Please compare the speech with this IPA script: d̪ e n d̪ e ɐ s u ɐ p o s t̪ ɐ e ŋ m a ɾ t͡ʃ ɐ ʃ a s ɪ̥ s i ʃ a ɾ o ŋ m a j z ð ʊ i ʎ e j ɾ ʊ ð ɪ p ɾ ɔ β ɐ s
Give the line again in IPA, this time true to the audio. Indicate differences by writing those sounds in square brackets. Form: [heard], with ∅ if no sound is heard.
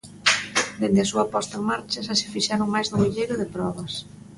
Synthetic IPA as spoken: d̪ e n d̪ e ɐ s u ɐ p [ɔ] s t̪ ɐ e ŋ m a ɾ t͡ʃ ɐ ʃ a s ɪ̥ [f] i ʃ a ɾ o ŋ m a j z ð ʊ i ʎ e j ɾ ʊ ð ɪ p ɾ ɔ β ɐ s